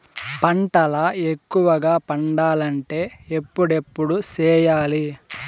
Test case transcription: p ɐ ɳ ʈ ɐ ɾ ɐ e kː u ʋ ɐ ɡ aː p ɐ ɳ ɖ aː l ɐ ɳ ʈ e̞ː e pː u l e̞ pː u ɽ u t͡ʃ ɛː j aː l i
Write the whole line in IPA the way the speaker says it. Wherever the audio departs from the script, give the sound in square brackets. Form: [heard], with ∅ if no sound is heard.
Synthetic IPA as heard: p ɐ ɳ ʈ ɐ [l] ɐ e kː u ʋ ɐ ɡ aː p ɐ ɳ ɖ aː l ɐ ɳ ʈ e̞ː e pː u [ɽ] e̞ pː u ɽ u t͡ʃ ɛː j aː l i